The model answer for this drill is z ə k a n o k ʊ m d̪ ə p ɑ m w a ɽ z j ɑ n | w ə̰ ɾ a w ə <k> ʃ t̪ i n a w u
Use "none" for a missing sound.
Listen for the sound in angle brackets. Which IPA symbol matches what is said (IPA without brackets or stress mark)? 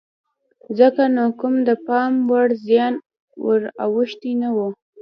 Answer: none